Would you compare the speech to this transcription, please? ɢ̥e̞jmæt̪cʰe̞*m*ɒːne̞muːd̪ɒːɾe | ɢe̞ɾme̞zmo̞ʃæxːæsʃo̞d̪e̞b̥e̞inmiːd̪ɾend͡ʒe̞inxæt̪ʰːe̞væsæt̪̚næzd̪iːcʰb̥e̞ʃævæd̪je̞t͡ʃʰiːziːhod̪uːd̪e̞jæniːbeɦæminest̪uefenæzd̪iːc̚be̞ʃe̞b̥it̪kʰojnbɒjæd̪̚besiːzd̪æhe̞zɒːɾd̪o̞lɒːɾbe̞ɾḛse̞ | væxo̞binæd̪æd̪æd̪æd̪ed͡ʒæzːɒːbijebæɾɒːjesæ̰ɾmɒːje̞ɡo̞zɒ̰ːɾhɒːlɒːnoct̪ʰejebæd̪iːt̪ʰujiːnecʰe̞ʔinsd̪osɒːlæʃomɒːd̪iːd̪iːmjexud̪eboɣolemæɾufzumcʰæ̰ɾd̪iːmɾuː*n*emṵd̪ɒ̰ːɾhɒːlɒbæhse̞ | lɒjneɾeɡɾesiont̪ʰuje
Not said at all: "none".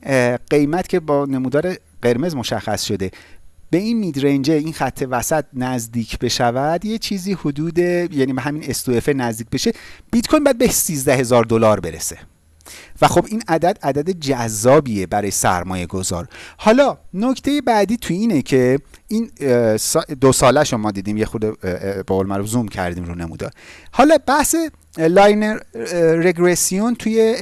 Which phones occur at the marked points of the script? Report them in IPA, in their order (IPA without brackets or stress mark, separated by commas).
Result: b, n